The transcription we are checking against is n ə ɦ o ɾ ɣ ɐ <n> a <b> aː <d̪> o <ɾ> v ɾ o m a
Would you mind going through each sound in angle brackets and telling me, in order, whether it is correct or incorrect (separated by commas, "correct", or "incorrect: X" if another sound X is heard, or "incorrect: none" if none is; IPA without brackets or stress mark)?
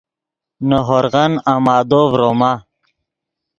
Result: correct, incorrect: m, correct, incorrect: none